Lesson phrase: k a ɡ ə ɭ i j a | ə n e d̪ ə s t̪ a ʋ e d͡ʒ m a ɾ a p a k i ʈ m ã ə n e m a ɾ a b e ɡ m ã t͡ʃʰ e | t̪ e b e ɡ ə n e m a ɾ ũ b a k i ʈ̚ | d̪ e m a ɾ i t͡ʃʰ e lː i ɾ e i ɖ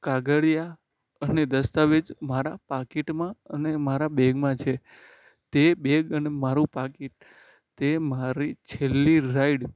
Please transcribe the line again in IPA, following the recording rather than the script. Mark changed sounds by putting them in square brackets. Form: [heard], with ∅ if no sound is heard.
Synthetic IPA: k a ɡ ə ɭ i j a | ə n e d̪ ə s t̪ a ʋ e d͡ʒ m a ɾ a p a k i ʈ m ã ə n e m a ɾ a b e ɡ m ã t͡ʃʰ e | t̪ e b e ɡ ə n e m a ɾ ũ [p] a k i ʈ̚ | [t̪] e m a ɾ i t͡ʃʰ e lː i ɾ [a] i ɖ